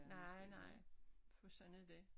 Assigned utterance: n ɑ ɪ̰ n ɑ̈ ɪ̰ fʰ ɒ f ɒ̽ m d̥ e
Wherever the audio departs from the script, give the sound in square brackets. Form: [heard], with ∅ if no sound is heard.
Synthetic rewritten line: n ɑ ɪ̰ n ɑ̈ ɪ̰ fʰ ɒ [s] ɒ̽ [n] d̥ e